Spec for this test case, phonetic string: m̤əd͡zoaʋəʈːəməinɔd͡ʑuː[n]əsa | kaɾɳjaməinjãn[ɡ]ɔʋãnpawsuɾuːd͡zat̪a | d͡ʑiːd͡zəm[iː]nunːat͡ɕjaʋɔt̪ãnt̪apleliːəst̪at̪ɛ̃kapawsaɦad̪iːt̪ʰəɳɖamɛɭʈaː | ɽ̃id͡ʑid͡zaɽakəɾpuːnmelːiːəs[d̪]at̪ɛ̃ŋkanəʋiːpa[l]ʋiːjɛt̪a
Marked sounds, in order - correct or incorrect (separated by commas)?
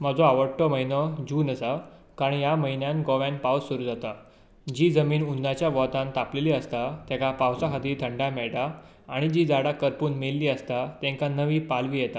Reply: correct, correct, correct, incorrect, correct